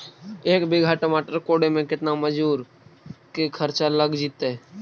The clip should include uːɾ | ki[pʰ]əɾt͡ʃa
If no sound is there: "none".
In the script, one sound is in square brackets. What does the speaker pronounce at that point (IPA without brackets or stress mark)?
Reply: kʰ